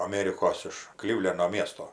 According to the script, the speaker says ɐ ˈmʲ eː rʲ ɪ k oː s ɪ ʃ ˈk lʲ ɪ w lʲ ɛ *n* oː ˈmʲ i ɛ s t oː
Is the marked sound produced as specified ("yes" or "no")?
yes